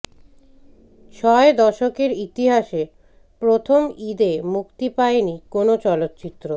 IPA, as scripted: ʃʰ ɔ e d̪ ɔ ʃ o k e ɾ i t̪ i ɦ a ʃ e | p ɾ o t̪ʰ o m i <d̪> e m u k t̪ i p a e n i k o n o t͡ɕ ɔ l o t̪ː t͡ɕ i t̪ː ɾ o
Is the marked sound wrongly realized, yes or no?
no